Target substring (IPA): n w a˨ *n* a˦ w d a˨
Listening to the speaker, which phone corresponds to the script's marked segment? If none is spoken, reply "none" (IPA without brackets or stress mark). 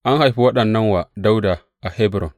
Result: d